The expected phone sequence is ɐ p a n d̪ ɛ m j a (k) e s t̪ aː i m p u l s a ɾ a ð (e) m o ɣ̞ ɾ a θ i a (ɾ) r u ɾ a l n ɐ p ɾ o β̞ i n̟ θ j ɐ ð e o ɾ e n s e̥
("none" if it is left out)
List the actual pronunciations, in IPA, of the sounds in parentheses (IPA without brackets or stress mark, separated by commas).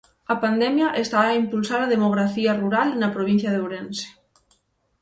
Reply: ʔ, e, none